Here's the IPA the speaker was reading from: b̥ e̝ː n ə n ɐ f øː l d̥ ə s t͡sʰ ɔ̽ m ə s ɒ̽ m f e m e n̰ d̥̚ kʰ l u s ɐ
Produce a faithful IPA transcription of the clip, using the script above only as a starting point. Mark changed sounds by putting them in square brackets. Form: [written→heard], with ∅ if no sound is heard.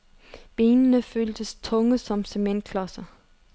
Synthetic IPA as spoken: b̥ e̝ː n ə n [ɐ→ə] f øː l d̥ ə s t͡sʰ ɔ̽ [m→ŋ] ə s ɒ̽ m [f→s] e m e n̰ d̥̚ kʰ l [u→ɒ] s ɐ